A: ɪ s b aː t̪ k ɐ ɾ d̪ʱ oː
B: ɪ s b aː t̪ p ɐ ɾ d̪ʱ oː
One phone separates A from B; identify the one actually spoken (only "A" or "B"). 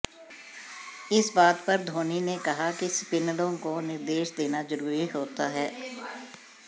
B